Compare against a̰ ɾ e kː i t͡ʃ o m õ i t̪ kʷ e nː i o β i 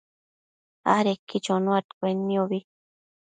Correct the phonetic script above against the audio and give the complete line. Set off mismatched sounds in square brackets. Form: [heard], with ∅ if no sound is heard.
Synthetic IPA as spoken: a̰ ɾ e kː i t͡ʃ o [n] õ [a] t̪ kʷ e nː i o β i